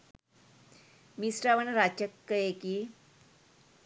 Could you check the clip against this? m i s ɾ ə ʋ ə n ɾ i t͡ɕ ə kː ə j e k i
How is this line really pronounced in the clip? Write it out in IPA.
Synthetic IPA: m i s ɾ a ʋ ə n ɾ a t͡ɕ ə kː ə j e k i